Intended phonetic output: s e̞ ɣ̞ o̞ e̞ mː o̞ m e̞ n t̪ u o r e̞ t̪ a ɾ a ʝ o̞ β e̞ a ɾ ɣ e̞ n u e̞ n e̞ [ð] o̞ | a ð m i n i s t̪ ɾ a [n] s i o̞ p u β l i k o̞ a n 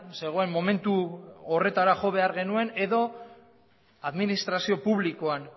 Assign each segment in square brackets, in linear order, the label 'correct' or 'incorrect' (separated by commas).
correct, incorrect